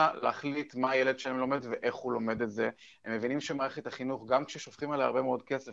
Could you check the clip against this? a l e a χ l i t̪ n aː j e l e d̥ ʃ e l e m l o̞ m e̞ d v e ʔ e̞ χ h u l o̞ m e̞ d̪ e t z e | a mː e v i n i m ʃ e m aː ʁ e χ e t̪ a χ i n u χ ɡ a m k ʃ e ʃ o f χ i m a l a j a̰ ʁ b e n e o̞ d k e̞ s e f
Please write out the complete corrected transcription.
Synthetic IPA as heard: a l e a χ l i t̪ m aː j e l e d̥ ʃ e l e m l o̞ m e̞ d v e ʔ e̞ χ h u l o̞ m e̞ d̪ e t z e | e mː e v i n i m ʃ e m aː ʁ e χ e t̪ a χ i n u χ ɡ a m k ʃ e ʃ o f χ i m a l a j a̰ ʁ b e m e o̞ d k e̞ s e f